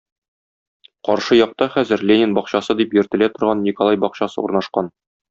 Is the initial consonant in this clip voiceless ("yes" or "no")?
yes